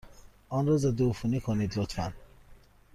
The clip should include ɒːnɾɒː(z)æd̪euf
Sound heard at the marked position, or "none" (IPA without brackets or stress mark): z